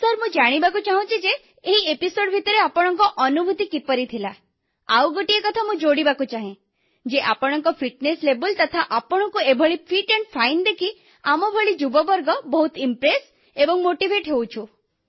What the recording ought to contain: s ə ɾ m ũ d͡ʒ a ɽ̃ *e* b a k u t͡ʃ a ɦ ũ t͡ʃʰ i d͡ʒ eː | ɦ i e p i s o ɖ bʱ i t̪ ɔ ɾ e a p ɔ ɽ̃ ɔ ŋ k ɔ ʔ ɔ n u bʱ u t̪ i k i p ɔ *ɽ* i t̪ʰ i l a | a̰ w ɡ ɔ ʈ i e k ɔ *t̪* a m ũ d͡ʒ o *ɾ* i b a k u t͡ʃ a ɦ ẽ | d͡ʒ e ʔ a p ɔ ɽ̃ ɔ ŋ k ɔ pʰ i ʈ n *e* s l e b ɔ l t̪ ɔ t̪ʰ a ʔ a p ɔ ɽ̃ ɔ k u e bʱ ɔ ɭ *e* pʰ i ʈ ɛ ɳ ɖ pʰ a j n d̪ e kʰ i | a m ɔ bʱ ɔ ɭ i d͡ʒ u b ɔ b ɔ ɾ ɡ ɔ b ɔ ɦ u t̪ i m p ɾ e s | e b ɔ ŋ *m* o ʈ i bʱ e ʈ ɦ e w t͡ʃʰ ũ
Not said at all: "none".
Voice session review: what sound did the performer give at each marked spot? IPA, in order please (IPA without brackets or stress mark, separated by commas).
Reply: i, ɾ, t̪ʰ, ɽ, e, i, m